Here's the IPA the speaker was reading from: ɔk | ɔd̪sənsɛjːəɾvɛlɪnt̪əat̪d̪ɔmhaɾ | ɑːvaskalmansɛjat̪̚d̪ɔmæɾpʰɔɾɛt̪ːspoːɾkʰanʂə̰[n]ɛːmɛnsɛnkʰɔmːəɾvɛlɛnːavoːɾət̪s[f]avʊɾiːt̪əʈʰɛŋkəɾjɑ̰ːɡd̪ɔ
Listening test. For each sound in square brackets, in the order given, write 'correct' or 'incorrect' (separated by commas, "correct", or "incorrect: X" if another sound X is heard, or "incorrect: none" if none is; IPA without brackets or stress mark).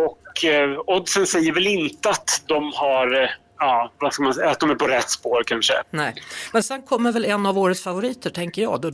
correct, correct